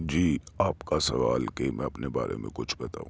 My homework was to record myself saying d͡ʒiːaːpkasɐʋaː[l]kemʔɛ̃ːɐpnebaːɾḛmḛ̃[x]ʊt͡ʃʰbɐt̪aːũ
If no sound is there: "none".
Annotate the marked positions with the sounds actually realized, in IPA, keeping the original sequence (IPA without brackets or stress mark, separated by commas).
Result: l, k